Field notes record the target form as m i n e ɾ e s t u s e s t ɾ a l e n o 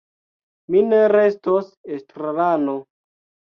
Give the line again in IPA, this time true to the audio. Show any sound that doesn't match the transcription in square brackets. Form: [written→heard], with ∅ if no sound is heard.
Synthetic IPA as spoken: m i n e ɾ e s t [u→o] s e s t ɾ a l [e→a] n o

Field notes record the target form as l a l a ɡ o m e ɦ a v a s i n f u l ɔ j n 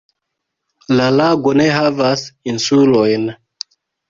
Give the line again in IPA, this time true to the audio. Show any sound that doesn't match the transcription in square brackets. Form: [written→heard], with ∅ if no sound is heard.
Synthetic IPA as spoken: l a l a ɡ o [m→n] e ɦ a v a s i n [f→s] u l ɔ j n

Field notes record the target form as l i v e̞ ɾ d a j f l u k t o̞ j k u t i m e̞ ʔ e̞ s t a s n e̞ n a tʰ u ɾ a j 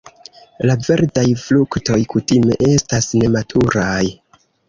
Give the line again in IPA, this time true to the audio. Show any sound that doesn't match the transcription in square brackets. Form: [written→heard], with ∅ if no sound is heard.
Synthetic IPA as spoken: l [i→a] v e̞ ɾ d a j f l u k t o̞ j k u t i m e̞ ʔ e̞ s t a s n e̞ [n→m] a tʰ u ɾ a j

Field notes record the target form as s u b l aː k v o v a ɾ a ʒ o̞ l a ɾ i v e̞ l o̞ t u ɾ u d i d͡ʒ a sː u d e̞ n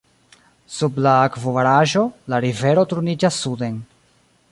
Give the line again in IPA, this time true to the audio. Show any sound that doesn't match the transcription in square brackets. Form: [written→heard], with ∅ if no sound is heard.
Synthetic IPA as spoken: s u b l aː k v o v a ɾ a ʒ o̞ l a ɾ i v e̞ [l→ɾ] o̞ t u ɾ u [d→n] i d͡ʒ a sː u d e̞ n

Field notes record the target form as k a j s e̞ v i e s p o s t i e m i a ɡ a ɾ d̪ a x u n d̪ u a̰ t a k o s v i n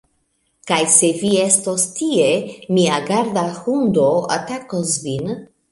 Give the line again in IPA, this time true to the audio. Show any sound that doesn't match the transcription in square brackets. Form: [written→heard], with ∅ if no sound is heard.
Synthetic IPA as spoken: k a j s e̞ v i e s [p→t] o s t i e m i a ɡ a ɾ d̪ a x u n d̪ [u→o] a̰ t a k o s v i n

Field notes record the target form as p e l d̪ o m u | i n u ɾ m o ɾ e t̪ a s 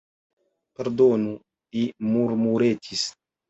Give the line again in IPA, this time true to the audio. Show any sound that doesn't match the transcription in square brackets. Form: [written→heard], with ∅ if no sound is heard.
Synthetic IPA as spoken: p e [l→ɾ] d̪ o [m→n] u | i [n→m] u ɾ m [o→u] ɾ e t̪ [a→i] s

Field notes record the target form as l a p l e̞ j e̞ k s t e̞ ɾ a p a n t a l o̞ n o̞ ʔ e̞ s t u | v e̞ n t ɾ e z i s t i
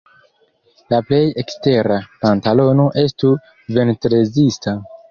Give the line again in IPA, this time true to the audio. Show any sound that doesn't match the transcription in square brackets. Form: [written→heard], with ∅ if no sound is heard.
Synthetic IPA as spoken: l a p l e̞ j e̞ k s t e̞ ɾ a p a n t a l o̞ n o̞ ʔ e̞ s t u | v e̞ n t ɾ e z i s t [i→a]

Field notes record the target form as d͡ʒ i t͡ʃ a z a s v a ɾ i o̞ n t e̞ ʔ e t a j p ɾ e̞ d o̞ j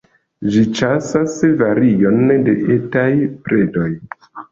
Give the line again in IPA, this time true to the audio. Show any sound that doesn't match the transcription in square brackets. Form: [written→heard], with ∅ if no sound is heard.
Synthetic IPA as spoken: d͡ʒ i t͡ʃ a [z→s] a s v a ɾ i o̞ n [t→d] e̞ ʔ e t a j p ɾ e̞ d o̞ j

